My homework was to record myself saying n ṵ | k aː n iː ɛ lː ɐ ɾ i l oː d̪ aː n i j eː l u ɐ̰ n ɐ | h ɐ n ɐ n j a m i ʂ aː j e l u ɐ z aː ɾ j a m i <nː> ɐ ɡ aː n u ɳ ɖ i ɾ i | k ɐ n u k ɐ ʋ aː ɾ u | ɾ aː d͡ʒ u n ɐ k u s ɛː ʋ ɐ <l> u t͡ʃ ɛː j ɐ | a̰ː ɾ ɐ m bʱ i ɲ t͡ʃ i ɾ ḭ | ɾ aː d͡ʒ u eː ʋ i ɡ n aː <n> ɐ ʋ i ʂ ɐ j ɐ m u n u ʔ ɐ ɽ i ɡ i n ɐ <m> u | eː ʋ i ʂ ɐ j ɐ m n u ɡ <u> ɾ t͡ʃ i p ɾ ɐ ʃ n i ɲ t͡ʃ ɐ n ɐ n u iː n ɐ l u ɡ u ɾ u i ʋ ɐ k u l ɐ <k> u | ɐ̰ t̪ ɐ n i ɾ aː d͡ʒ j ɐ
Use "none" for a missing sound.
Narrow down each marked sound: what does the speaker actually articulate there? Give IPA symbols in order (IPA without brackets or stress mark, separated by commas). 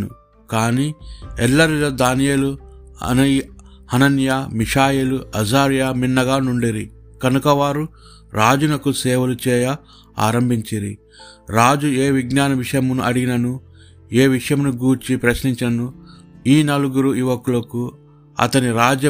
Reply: nː, l, n, n, uː, k